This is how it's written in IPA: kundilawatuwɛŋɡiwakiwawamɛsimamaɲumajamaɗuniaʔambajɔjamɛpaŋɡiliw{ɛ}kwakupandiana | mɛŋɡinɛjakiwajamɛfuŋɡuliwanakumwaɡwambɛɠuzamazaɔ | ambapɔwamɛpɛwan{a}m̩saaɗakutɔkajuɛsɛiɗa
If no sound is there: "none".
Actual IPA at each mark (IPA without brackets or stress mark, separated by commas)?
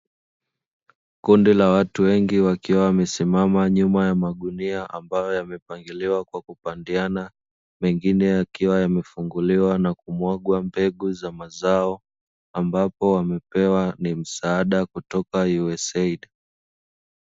a, i